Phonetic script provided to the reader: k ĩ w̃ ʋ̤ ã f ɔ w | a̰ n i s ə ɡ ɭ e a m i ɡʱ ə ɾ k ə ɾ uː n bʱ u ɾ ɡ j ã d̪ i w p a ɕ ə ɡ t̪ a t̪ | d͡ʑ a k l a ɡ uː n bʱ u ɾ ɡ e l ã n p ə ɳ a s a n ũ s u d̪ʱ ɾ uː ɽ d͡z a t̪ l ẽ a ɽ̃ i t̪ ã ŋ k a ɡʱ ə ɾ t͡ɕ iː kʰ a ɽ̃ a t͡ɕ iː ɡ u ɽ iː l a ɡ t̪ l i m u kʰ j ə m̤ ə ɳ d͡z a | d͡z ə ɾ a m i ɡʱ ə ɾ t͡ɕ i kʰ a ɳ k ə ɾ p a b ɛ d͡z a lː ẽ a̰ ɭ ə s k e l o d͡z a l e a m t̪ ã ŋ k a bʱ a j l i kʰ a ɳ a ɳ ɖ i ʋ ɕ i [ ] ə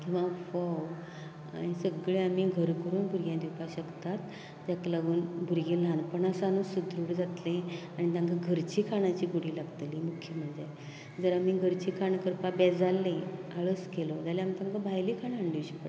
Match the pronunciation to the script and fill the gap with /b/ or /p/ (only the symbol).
p